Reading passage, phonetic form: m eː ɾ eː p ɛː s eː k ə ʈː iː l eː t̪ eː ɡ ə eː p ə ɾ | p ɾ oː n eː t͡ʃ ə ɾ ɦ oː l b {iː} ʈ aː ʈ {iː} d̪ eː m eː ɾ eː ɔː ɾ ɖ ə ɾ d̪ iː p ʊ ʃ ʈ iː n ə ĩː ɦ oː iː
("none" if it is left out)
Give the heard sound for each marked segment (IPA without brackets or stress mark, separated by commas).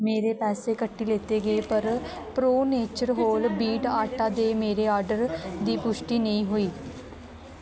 iː, aː